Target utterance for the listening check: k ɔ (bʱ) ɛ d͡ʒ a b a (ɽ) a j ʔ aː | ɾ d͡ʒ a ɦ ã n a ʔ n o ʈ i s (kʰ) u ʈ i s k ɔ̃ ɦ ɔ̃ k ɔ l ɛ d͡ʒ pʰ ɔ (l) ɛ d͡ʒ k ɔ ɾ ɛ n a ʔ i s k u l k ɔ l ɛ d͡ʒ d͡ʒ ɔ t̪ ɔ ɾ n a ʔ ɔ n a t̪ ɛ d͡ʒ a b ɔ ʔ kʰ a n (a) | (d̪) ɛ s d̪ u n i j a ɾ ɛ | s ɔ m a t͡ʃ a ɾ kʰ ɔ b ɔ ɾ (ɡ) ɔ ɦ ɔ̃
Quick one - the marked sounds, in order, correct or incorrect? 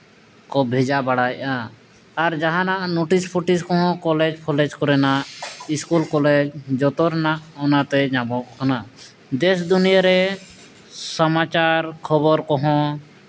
correct, correct, incorrect, correct, correct, correct, incorrect

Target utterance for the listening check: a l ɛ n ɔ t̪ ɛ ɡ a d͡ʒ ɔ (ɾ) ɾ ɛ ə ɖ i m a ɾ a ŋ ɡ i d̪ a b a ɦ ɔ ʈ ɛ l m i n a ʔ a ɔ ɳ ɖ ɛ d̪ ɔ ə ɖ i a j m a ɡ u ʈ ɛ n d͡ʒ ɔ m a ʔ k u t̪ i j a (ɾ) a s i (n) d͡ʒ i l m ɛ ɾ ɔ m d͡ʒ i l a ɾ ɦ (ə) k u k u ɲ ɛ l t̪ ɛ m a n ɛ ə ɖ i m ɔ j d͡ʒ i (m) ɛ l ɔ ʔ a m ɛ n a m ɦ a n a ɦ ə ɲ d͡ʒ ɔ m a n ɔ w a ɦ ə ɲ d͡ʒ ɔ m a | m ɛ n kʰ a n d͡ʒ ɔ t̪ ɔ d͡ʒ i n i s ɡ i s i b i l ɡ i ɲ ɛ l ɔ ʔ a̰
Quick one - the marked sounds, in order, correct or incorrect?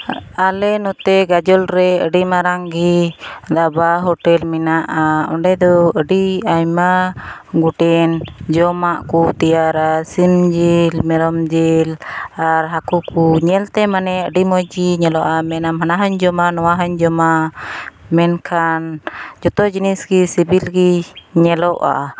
incorrect, correct, incorrect, incorrect, incorrect

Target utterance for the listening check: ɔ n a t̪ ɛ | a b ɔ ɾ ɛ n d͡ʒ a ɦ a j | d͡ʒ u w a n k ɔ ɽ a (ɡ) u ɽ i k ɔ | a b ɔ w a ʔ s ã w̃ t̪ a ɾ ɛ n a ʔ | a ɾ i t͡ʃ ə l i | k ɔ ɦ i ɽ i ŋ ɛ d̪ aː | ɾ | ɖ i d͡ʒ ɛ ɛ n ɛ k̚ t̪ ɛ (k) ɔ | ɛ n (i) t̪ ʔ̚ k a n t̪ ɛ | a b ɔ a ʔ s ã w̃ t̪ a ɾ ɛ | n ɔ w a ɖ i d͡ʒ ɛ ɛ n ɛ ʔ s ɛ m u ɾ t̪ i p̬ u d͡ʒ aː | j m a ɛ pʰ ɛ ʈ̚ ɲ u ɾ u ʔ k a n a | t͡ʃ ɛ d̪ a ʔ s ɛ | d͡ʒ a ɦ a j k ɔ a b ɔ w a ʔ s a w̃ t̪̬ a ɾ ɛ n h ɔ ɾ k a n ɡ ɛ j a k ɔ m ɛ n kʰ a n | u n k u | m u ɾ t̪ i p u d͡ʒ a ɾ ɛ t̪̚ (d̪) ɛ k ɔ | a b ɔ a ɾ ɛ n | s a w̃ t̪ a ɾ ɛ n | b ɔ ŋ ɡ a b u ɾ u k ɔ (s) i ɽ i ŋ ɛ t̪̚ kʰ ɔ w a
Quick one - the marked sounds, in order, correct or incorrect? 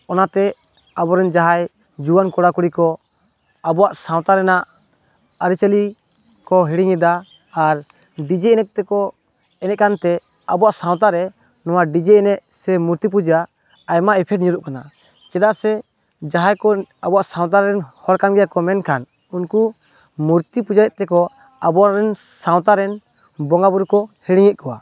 incorrect, correct, incorrect, incorrect, incorrect

